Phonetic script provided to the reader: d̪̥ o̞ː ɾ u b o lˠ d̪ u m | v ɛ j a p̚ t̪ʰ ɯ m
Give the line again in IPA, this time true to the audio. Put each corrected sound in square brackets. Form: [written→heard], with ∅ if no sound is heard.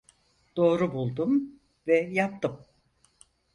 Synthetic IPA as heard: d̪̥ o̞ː ɾ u b [o→u] lˠ d̪ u m | v ɛ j a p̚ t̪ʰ ɯ m